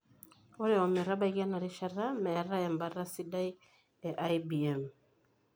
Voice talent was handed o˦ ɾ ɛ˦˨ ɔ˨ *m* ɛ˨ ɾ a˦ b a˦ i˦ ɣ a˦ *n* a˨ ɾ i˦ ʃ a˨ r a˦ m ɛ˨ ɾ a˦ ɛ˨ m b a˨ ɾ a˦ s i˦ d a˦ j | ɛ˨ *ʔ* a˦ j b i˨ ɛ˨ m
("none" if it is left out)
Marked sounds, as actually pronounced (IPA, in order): m, n, ʔ

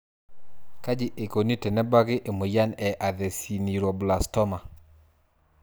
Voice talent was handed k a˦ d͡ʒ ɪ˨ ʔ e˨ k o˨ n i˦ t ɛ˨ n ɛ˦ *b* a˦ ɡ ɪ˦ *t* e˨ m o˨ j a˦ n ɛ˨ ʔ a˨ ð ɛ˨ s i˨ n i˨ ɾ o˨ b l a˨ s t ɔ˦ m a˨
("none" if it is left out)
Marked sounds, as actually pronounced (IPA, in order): b, ʔ

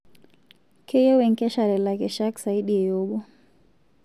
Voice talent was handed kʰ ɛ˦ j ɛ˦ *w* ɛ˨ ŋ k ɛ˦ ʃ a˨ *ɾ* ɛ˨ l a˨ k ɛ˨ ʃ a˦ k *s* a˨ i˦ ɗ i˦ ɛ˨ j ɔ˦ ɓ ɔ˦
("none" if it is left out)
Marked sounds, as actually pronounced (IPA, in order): w, ɾ, s

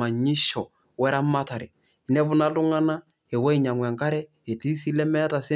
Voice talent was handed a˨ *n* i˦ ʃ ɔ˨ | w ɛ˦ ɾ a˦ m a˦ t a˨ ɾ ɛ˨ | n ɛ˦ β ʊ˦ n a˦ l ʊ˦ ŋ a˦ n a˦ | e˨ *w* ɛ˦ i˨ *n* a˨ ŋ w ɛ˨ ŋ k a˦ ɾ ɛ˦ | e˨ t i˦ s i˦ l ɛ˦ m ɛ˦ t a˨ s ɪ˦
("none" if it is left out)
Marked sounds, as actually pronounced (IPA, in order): ɲ, w, ɲ

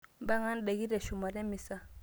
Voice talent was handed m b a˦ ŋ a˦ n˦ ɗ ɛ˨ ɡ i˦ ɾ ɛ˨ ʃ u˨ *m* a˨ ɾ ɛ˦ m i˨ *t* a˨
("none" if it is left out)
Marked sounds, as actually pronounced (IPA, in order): m, s

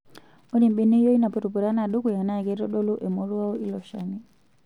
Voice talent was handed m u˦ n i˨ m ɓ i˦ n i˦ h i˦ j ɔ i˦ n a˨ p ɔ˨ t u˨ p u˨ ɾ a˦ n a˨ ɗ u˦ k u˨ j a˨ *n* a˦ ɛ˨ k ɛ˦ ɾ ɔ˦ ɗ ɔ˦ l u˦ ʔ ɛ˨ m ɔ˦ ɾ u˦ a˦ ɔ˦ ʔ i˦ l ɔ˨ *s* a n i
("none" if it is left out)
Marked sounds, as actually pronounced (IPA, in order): n, ʃ

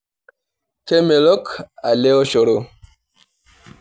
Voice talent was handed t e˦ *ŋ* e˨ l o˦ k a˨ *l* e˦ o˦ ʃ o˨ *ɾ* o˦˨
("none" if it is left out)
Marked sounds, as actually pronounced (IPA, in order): m, l, ɾ

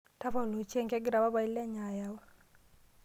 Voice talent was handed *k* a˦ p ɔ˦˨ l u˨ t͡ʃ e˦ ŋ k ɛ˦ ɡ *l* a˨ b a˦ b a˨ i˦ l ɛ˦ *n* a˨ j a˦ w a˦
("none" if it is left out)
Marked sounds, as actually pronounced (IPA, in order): t, ɾ, ɲ

